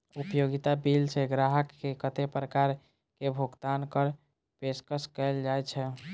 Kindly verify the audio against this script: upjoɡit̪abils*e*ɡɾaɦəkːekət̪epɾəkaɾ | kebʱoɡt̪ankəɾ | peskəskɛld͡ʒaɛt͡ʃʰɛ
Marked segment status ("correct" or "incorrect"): correct